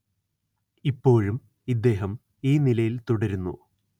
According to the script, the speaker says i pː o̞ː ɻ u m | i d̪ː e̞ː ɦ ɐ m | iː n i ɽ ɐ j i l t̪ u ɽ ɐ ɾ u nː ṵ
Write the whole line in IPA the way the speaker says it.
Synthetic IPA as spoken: i pː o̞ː ɻ u m | i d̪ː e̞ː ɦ ɐ m | iː n i l ɐ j i l t̪ u ɽ ɐ ɾ u nː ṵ